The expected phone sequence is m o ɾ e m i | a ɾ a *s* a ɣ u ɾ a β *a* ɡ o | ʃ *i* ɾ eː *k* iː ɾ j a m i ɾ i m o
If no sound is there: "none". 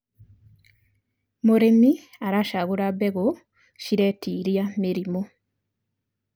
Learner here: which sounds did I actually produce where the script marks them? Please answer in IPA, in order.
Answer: ʃ, e, i, t

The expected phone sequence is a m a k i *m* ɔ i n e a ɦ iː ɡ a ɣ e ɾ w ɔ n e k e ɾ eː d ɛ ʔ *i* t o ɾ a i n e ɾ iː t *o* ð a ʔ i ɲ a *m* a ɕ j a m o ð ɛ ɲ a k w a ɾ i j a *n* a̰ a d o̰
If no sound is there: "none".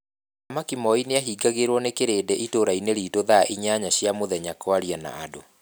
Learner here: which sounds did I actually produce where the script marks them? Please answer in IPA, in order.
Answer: m, i, o, ɲ, n

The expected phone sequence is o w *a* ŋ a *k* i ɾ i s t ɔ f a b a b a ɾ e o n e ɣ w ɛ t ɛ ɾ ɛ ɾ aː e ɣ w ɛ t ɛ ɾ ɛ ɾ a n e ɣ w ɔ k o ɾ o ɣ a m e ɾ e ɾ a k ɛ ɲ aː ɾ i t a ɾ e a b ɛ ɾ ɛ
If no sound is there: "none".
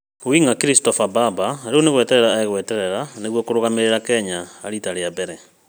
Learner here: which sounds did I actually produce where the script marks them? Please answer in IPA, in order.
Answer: i, k

